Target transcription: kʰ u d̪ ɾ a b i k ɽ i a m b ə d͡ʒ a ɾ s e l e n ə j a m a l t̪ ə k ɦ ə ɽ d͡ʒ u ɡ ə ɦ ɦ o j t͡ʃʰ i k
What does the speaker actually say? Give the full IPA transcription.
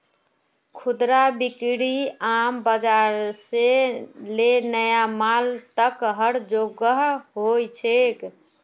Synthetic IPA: kʰ u d̪ ɾ a b i k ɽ i a m b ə d͡ʒ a ɾ s e l e n ə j a m a l t̪ ə k ɦ ə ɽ d͡ʒ o ɡ ə ɦ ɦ o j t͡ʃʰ e k